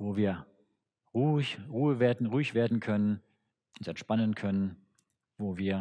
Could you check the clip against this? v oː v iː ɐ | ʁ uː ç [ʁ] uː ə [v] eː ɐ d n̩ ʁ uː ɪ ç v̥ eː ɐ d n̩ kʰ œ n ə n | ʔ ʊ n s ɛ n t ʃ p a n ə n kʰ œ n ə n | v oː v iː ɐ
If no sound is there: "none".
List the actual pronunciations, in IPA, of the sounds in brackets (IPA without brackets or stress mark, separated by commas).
ʁ, v